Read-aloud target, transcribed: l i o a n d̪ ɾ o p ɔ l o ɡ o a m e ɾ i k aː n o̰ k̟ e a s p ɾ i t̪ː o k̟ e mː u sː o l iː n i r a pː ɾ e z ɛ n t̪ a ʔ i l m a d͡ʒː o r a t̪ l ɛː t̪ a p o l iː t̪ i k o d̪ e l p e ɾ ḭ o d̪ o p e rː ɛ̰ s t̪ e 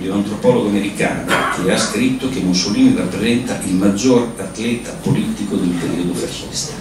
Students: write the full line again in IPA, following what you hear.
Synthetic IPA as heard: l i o a n t̪ ɾ o p ɔ l o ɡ o a m e ɾ i k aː n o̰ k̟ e a s k ɾ i t̪ː o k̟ e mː u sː o l iː n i r a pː ɾ e z ɛ n t̪ a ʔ i l m a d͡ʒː o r a t̪ l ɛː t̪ a p o l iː t̪ i k o d̪ e l p e ɾ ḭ o d̪ o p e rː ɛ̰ s t̪ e